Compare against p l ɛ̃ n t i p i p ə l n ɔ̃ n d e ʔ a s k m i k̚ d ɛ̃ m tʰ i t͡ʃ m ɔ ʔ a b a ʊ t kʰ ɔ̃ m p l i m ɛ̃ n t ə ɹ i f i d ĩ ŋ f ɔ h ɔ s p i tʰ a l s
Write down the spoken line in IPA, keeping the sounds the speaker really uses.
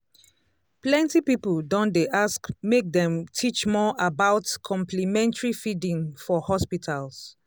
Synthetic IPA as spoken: p l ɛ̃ n t i p i p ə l d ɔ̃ n d e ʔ a s k m e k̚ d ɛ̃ m tʰ i t͡ʃ m ɔ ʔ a b a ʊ t kʰ ɔ̃ m p l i m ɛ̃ n t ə ɹ i f i d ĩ ŋ f ɔ h ɔ s p i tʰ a l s